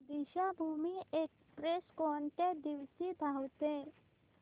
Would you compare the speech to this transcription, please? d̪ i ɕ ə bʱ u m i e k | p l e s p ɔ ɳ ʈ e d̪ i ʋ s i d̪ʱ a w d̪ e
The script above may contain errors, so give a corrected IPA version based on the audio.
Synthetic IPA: d̪ i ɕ a bʱ u m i e k | p ɾ e s k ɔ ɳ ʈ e d̪ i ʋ s i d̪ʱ a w t̪ e